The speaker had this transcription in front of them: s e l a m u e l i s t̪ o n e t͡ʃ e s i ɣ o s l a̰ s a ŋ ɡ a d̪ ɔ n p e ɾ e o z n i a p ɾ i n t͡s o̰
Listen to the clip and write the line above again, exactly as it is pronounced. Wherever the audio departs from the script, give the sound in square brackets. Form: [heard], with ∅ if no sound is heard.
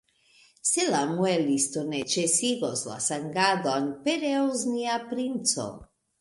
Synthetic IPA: s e l a m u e l i s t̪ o n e t͡ʃ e s i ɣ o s l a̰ s a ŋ ɡ a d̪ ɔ n p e ɾ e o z n i a p ɾ i n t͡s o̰